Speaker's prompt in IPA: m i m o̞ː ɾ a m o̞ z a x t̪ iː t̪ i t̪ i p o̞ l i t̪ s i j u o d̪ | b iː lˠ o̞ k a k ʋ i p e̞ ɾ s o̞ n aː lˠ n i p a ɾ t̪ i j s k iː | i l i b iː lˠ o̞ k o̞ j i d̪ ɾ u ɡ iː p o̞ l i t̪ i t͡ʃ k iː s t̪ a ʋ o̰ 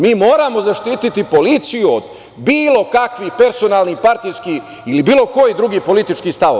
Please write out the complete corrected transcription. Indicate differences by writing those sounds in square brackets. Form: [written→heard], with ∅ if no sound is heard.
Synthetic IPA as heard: m [i→iː] m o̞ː ɾ a m o̞ z a [x→ʃ] t̪ iː t̪ i t̪ i p o̞ l i t̪ s i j u o d̪ | b iː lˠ o̞ k a k ʋ i p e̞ ɾ s o̞ n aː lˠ n i p a ɾ t̪ i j s k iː | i l i b iː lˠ o̞ k o̞ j i d̪ ɾ u ɡ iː p o̞ l i t̪ i t͡ʃ k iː s t̪ a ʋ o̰